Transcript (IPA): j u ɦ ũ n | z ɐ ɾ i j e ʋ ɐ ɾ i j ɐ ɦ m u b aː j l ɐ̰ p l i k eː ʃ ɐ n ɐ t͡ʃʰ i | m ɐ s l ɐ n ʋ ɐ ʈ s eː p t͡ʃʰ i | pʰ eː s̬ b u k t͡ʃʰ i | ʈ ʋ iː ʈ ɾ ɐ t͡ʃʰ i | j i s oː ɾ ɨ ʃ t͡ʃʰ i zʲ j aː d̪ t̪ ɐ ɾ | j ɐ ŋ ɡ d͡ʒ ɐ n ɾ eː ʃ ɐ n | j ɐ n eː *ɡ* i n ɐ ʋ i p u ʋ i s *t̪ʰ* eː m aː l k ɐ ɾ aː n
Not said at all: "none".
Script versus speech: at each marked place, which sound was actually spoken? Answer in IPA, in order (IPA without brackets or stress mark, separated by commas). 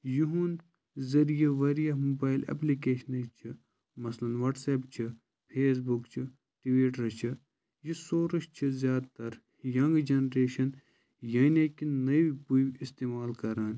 k, t̪